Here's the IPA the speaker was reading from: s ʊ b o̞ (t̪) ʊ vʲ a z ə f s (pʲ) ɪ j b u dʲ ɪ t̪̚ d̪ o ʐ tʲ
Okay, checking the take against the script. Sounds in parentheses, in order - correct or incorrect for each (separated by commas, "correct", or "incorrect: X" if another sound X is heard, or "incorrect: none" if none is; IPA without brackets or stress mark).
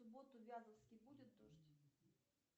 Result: correct, incorrect: kʲ